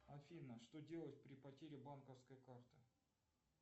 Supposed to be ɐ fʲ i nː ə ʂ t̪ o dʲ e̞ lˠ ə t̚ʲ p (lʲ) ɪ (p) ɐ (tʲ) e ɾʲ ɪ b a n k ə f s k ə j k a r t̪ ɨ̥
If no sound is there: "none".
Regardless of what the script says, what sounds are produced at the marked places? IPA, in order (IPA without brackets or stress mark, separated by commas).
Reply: ɾʲ, p, tʲ